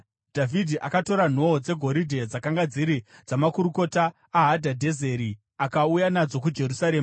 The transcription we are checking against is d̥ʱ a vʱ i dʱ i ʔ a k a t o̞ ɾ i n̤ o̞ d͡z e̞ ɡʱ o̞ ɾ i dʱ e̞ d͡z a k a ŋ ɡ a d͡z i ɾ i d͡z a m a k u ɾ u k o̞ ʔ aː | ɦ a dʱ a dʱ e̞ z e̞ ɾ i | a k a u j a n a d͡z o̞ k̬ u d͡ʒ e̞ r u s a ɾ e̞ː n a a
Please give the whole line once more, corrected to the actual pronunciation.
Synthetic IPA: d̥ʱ a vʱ i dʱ i ʔ a k a t o̞ ɾ a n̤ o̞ d͡z e̞ ɡʱ o̞ ɾ i dʱ e̞ d͡z a k a ŋ ɡ a d͡z i ɾ i d͡z a m a k u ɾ u k o̞ t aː | ɦ a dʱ a dʱ e̞ z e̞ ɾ i | a k a u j a n a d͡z o̞ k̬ u d͡ʒ e̞ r u s a ɾ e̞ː m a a